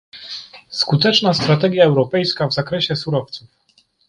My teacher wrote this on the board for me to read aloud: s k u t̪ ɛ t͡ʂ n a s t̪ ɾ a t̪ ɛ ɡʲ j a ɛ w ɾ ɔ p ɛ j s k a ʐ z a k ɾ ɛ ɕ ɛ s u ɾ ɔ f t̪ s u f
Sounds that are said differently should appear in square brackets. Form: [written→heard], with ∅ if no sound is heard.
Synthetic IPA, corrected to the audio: s k u t̪ ɛ t͡ʂ n a s t̪ ɾ a t̪ ɛ ɡʲ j a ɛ w ɾ ɔ p ɛ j s k a [ʐ→v] z a k ɾ ɛ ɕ ɛ s u ɾ ɔ f t̪ s u f